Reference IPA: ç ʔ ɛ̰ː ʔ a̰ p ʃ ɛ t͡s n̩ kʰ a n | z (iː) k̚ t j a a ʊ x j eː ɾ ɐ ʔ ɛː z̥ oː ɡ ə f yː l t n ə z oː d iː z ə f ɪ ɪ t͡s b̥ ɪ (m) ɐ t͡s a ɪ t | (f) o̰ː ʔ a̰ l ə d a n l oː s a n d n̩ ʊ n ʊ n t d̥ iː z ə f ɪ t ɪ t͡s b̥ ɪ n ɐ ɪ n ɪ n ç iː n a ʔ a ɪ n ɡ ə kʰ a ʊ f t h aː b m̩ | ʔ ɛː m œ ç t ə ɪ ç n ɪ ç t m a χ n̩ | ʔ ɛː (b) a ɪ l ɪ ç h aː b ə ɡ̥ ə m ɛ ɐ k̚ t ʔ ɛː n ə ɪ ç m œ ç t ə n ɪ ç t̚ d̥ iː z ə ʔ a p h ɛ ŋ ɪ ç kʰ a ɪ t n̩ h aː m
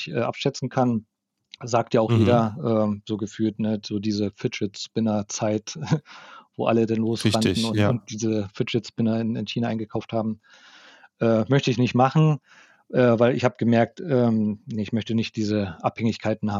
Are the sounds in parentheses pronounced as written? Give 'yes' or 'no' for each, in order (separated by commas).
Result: no, no, no, no